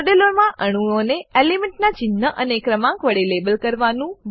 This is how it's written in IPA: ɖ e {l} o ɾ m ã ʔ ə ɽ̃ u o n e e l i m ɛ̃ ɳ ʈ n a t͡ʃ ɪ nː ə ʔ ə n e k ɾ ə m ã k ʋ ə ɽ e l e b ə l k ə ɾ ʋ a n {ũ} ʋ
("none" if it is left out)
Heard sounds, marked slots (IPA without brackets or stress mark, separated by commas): l, ũ